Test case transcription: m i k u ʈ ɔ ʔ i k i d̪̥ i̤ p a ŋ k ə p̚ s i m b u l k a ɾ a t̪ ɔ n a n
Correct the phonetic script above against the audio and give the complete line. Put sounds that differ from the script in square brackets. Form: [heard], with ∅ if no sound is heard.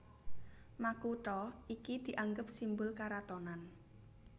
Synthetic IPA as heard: m [a] k u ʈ ɔ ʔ i k i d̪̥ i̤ [ʔ] a ŋ [ɡ] ə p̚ s i m b [ʊ] l k a ɾ a t̪ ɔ n a n